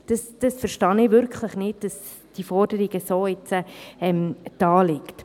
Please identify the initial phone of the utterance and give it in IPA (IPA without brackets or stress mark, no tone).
d̥